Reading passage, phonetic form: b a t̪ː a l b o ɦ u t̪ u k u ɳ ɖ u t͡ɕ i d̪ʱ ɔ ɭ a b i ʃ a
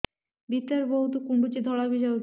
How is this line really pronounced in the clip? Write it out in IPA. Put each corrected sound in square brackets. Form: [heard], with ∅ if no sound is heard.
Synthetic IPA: b [i] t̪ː a [ɾ] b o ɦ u t̪ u k u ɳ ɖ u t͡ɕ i d̪ʱ ɔ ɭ a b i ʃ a

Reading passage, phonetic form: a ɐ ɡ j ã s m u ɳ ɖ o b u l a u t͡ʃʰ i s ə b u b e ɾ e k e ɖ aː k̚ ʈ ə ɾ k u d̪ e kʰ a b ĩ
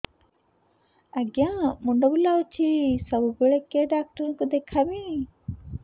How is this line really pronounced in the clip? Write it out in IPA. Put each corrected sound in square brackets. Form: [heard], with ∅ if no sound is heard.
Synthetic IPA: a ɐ ɡ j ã [∅] m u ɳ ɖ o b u l a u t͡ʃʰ i s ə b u b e [ɭ] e k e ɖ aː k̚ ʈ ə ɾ k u d̪ e kʰ a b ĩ

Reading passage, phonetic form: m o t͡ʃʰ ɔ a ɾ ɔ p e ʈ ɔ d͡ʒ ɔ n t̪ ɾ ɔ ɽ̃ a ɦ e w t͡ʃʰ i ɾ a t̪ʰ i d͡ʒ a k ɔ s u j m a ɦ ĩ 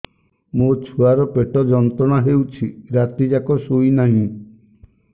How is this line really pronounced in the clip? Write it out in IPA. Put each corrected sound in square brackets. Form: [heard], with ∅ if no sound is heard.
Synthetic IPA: m o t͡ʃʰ [u] a ɾ ɔ p e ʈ ɔ d͡ʒ ɔ n t̪ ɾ ɔ ɽ̃ a ɦ e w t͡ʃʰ i ɾ a [t̪] i d͡ʒ a k ɔ s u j [n] a ɦ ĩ

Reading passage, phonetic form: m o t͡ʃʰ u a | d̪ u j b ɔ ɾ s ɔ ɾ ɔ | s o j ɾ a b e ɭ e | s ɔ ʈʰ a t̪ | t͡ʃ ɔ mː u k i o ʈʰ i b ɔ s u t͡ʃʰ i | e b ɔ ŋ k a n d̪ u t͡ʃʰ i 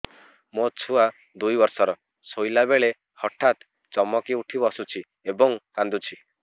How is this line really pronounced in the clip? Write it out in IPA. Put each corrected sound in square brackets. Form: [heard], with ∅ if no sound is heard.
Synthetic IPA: m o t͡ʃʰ u a | d̪ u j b ɔ ɾ s ɔ ɾ ɔ | s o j [l] a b e ɭ e | [h] ɔ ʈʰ a t̪ | t͡ʃ ɔ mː [ɔ] k i [u] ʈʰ i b ɔ s u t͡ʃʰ i | e b ɔ ŋ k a n d̪ u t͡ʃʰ i

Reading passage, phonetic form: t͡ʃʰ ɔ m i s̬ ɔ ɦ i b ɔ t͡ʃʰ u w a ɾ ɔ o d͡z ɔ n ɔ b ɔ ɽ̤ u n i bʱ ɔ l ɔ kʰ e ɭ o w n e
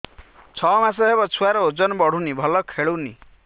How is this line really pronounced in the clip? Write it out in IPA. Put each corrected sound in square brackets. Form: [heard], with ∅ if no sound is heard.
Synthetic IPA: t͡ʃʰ ɔ m [a] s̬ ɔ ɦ [e] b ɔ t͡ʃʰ u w a ɾ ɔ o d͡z ɔ n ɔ b ɔ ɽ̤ u n i bʱ ɔ l ɔ kʰ e ɭ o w n [i]

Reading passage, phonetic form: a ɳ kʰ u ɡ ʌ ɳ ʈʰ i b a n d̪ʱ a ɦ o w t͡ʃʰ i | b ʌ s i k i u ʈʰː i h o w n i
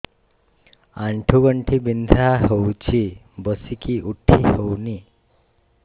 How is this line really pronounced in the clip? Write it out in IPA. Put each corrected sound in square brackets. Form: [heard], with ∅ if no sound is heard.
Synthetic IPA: a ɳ [ʈʰ] u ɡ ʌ ɳ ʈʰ i b [i] n d̪ʱ a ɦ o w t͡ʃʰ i | b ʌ s i k i u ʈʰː i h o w n i

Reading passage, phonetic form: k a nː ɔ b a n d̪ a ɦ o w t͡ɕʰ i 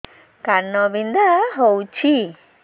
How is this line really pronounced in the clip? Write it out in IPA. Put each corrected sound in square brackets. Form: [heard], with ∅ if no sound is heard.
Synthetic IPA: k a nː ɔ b [i] n d̪ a ɦ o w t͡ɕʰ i

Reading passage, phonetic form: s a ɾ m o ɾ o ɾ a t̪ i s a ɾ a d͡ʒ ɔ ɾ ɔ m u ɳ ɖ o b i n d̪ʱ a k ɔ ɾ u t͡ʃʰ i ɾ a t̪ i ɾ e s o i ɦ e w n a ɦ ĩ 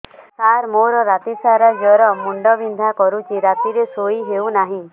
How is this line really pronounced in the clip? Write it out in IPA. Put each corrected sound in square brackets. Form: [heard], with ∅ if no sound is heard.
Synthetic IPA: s a ɾ m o ɾ [ɔ] ɾ a t̪ i s a ɾ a d͡ʒ ɔ ɾ ɔ m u ɳ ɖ [ɔ] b i n d̪ʱ a k ɔ ɾ u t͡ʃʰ i ɾ a t̪ i ɾ e s o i ɦ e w n a ɦ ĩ

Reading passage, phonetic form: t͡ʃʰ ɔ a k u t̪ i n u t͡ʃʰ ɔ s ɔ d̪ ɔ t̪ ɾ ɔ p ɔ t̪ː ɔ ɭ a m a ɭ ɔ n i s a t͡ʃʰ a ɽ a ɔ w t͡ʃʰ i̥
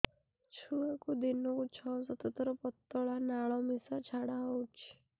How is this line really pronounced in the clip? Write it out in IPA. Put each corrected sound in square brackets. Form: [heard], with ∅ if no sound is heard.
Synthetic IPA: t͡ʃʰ [u] a k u [d̪] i n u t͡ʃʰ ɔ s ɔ [t̪] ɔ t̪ ɾ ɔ p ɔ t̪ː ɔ ɭ a [n] a ɭ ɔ [m] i s a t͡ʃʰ a ɽ a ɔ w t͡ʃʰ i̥

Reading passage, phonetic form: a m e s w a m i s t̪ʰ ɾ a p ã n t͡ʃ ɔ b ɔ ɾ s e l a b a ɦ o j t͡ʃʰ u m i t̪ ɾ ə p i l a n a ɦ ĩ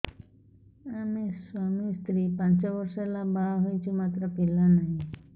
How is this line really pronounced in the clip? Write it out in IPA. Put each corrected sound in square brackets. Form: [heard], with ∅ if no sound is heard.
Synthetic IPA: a m e s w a m i s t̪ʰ ɾ [i] p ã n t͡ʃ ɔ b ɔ ɾ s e l a b a ɦ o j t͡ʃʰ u m [a] t̪ ɾ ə p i l a n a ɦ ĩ

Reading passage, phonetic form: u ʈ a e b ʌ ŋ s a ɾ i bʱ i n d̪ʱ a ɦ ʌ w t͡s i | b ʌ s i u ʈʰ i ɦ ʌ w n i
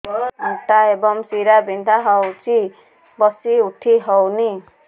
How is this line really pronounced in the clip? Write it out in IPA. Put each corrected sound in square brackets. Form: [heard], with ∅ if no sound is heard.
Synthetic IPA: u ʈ a e b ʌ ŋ s [i] ɾ [a] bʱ i n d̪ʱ a ɦ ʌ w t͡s i | b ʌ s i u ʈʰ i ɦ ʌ w n i

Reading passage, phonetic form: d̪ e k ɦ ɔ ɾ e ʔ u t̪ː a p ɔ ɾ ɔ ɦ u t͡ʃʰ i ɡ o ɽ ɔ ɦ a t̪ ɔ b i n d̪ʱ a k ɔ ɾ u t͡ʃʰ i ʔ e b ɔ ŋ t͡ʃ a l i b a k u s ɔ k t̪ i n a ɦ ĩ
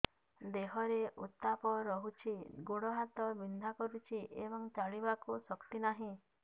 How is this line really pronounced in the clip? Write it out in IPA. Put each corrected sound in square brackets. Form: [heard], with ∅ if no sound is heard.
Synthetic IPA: d̪ e [∅] ɦ ɔ ɾ e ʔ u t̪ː a p ɔ ɾ ɔ ɦ u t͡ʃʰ i ɡ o ɽ ɔ ɦ a t̪ ɔ b i n d̪ʱ a k ɔ ɾ u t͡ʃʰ i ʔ e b ɔ ŋ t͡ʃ a [ɭ] i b a k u s ɔ k t̪ i n a ɦ ĩ

